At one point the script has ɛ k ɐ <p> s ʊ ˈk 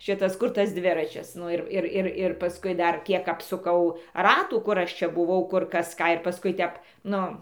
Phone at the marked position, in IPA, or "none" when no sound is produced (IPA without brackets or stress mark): p